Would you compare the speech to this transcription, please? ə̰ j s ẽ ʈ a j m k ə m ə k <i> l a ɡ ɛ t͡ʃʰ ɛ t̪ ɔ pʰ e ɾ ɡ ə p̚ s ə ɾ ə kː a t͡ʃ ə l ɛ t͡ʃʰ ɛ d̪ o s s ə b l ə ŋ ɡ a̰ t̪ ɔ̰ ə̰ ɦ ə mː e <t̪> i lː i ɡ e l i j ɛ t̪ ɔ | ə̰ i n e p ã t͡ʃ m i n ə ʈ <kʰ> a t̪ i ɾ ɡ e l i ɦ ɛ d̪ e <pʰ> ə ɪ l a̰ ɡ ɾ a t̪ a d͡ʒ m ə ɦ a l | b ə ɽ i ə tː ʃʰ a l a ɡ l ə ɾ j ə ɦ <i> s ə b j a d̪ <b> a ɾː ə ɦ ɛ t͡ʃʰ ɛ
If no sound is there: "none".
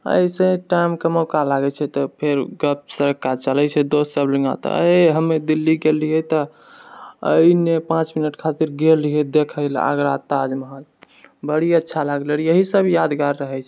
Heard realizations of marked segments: a, d̪, kʰ, kʰ, i, ɡ

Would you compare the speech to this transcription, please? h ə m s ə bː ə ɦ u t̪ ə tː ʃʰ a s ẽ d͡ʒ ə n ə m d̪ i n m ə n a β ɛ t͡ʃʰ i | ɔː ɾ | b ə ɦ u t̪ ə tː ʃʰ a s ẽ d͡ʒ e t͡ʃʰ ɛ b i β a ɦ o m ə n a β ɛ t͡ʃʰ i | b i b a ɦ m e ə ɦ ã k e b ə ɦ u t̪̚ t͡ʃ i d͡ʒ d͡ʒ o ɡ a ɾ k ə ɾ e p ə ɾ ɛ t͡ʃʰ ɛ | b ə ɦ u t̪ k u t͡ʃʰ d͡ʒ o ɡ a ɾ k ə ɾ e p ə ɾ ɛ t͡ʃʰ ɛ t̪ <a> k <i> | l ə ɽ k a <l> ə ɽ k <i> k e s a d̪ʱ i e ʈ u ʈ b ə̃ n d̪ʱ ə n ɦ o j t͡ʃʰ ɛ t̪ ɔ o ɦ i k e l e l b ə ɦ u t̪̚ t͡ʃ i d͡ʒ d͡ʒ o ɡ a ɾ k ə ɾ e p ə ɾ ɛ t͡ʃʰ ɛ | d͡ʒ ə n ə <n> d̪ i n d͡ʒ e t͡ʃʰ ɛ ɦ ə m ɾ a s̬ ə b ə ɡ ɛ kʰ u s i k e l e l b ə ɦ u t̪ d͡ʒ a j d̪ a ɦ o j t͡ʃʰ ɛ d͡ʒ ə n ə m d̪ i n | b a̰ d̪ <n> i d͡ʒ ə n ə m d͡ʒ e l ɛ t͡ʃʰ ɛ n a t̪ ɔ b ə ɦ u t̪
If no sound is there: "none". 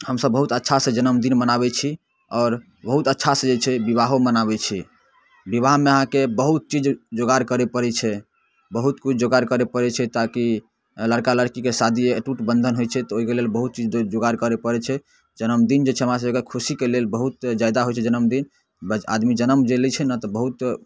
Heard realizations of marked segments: a, i, l, i, m, m

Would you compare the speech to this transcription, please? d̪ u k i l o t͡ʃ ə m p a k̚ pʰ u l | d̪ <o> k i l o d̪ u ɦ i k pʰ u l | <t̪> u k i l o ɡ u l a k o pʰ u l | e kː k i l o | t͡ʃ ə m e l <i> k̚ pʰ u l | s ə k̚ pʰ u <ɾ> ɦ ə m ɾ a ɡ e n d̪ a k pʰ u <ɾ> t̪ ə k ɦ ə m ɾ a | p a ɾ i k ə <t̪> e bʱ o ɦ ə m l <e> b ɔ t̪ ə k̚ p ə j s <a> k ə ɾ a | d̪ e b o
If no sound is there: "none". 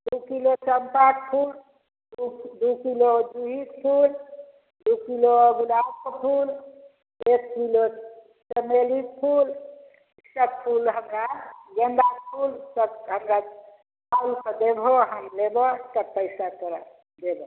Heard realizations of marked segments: u, d̪, i, l, l, d̪, e, a

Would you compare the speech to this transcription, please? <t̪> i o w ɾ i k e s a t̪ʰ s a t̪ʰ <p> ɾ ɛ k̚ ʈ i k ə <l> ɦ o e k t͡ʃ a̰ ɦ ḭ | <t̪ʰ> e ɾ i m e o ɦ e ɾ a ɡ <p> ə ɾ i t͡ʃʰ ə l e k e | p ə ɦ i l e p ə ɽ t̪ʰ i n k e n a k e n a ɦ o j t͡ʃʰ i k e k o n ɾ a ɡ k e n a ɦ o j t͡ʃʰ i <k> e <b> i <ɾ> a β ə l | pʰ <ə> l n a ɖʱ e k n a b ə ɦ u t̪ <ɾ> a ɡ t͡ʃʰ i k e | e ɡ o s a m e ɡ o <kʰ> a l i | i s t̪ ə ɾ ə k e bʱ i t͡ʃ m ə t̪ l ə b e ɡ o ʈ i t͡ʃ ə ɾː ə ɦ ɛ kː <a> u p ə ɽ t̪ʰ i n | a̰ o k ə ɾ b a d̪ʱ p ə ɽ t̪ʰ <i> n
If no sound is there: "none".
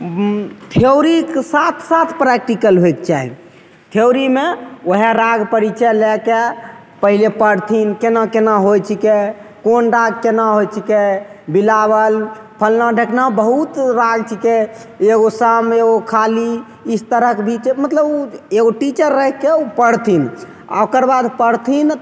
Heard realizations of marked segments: t̪ʰ, p, l, t̪ʰ, p, k, b, l, ə, ɾ, kʰ, e, i

